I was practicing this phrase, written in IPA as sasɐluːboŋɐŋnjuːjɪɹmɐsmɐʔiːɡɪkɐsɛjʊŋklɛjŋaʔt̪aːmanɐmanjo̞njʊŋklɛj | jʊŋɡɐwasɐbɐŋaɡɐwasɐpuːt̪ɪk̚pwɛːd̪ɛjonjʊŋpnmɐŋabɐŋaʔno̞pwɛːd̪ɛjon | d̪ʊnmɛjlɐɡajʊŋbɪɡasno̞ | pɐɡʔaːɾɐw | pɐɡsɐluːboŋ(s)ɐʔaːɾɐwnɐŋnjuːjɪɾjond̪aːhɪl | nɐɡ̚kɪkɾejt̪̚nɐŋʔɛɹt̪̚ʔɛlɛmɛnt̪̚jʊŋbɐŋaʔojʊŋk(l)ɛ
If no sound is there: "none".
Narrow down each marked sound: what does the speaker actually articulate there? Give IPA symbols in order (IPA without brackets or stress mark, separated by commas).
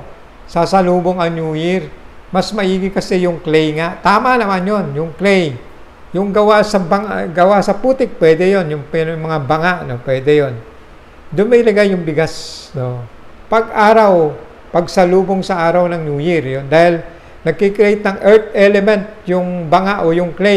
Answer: s, l